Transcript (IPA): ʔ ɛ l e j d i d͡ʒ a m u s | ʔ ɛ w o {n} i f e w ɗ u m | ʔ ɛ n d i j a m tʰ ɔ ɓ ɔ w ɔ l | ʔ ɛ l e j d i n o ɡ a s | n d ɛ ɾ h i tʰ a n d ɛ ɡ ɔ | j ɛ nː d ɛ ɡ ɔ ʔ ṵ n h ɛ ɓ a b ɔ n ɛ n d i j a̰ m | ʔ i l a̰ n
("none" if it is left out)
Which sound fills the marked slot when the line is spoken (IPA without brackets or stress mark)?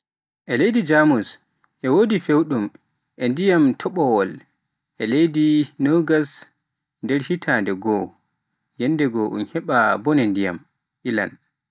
d